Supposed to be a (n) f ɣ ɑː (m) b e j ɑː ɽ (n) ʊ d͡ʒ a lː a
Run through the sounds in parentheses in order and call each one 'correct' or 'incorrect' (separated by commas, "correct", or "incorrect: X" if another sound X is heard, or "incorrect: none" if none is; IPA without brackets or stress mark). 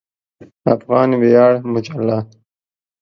incorrect: none, incorrect: n, incorrect: m